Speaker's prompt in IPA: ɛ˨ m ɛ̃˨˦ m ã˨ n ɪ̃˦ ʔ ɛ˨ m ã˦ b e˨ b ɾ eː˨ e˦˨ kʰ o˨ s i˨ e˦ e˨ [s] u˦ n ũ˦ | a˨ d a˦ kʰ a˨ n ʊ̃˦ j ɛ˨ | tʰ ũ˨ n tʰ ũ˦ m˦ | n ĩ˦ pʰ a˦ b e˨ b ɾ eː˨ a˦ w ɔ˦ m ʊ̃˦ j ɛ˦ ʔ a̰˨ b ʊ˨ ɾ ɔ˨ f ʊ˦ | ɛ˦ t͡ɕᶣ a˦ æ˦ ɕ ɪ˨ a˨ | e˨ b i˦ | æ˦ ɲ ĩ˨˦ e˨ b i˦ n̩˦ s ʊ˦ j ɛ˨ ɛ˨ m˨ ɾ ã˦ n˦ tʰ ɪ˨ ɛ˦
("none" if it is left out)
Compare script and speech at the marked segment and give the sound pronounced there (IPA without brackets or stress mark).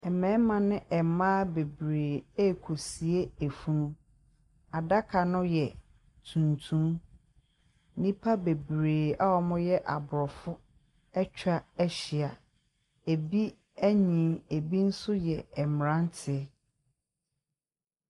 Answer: f